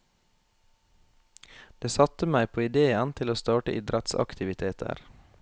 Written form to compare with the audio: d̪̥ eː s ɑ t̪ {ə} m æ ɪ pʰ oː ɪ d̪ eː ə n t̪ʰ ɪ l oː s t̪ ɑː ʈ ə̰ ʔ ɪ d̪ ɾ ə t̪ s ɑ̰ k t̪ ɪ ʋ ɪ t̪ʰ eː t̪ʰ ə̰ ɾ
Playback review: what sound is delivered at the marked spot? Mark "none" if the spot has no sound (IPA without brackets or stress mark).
ə